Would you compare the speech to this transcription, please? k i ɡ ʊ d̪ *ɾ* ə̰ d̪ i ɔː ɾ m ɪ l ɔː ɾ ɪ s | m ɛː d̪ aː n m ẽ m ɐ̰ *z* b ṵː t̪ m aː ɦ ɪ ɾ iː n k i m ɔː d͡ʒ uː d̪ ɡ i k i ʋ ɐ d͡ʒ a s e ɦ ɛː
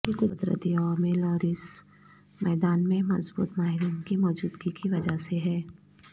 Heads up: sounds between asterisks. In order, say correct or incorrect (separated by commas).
correct, correct